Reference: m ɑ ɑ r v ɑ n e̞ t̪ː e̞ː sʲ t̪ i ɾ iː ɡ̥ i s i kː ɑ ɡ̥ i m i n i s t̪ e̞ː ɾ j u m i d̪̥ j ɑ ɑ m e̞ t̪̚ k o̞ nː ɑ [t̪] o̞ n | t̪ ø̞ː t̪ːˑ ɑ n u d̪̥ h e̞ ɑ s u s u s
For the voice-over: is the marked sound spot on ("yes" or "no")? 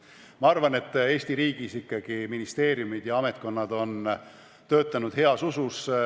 no